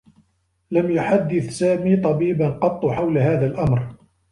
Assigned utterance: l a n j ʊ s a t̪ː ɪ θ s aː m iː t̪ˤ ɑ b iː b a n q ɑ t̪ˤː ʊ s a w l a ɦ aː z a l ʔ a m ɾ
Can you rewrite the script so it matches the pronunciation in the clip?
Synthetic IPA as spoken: l a m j ʊ ħ a d̪ː ɪ θ s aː m iː t̪ˤ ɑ b iː b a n q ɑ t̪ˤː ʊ ħ a w l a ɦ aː ð a l ʔ a m ɾ